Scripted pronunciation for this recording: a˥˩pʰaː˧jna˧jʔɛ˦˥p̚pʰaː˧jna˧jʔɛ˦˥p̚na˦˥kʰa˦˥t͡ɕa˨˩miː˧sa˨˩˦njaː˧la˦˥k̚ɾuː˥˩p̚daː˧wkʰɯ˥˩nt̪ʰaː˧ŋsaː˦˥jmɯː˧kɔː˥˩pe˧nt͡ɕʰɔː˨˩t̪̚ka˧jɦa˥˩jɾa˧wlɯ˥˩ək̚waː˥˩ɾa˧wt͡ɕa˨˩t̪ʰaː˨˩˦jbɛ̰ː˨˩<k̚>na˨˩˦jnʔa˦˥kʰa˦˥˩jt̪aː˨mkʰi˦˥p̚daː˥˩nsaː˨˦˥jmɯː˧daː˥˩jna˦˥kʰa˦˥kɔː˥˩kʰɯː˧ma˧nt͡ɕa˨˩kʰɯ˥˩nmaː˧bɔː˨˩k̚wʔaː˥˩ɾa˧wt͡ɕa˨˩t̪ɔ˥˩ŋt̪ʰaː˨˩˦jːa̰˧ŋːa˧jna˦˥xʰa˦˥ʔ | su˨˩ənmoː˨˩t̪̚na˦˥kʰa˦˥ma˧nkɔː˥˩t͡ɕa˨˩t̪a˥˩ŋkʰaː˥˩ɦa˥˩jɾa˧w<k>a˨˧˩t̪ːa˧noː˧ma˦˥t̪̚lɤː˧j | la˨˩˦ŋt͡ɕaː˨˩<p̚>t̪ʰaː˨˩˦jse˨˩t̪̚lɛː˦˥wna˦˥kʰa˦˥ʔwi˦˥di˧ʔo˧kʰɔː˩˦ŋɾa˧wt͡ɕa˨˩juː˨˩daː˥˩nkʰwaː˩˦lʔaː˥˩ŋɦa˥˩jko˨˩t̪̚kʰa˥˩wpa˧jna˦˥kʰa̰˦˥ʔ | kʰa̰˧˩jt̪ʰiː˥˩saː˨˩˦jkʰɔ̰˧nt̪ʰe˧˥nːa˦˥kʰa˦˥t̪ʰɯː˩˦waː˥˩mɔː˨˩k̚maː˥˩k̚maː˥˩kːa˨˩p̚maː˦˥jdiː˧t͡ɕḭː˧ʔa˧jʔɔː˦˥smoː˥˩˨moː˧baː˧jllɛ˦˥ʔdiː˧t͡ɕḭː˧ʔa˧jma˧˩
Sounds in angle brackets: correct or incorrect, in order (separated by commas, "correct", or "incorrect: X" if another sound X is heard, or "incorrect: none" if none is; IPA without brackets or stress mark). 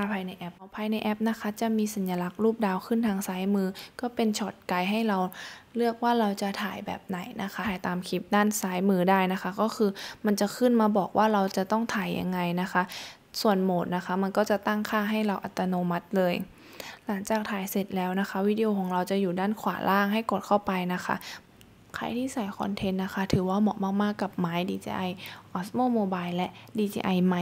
incorrect: p̚, incorrect: ʔ, incorrect: k̚